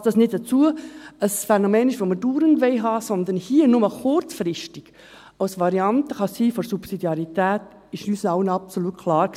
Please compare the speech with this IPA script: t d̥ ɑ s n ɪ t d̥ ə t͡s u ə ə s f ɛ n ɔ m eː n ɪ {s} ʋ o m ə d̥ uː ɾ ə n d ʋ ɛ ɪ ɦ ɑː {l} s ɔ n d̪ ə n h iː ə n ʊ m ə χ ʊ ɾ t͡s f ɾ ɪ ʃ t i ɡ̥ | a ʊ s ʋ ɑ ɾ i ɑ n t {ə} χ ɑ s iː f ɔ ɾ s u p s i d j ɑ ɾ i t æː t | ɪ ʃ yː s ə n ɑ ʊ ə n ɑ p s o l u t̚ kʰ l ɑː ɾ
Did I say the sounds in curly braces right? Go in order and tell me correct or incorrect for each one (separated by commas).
incorrect, incorrect, correct